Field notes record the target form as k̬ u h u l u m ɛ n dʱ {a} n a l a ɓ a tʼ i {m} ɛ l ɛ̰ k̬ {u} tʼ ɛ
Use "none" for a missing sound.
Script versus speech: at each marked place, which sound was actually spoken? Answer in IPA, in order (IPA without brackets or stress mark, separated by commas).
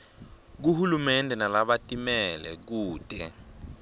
ɛ, m, uː